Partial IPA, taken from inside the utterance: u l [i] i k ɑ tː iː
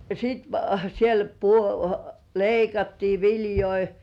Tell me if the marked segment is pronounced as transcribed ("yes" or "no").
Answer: no